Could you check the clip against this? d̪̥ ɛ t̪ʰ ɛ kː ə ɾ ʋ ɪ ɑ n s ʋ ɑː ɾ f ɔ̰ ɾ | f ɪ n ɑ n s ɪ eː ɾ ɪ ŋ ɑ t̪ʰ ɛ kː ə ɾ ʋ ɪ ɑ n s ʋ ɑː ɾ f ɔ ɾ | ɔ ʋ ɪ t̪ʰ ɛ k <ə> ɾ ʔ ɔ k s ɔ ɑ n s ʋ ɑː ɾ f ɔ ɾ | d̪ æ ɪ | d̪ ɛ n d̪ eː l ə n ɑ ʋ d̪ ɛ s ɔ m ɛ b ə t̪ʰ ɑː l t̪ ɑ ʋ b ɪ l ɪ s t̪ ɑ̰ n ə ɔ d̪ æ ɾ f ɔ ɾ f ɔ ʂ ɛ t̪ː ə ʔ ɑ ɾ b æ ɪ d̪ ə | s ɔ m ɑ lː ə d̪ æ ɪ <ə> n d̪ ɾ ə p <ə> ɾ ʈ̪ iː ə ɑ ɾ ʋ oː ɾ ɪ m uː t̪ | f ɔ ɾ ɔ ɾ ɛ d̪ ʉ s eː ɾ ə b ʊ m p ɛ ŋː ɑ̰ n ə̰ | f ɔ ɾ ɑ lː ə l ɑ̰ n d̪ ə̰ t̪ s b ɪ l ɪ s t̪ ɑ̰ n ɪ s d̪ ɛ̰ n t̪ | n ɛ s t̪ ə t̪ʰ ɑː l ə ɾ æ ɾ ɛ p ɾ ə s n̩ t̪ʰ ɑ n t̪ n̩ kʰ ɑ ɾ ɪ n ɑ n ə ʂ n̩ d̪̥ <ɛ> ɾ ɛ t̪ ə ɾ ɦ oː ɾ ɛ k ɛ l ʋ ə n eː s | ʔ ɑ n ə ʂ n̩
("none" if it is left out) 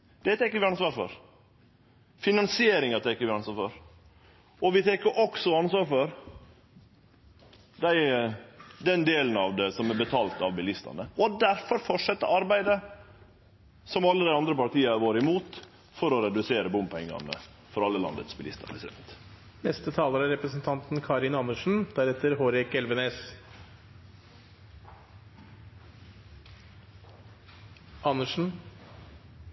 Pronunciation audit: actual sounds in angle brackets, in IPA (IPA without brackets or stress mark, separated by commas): ə, ɑ, ɑ, æ